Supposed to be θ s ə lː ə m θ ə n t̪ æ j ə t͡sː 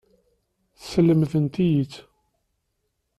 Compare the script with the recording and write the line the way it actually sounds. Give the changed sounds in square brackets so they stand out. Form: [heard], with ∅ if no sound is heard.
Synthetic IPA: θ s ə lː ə m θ ə n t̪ [i] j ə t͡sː